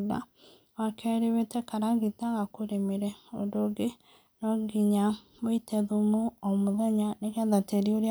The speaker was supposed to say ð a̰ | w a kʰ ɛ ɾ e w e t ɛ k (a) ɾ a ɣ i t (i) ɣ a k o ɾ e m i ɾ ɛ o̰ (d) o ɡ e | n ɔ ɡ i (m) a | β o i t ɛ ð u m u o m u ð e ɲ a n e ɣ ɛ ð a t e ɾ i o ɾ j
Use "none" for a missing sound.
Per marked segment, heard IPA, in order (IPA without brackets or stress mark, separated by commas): a, a, d, ɲ